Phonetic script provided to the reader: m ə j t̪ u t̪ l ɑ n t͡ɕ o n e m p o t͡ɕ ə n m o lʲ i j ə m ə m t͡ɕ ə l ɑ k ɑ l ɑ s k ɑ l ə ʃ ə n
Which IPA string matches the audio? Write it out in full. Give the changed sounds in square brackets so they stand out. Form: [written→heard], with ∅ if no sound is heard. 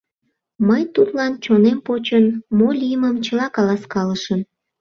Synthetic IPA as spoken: m ə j t̪ u t̪ l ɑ n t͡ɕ o n e m p o t͡ɕ ə n m o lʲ i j ə m ə m t͡ɕ ə l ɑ k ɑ l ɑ s k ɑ l ə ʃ ə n